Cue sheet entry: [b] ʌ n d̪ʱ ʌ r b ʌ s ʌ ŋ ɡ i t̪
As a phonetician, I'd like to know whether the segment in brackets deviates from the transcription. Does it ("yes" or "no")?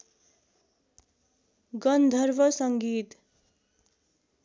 yes